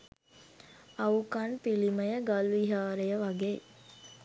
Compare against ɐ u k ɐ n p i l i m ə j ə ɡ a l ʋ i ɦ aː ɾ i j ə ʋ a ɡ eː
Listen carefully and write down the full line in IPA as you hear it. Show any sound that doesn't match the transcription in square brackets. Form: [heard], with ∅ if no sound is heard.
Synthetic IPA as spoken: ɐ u k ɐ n p i l i m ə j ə ɡ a l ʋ i ɦ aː ɾ [e] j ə ʋ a ɡ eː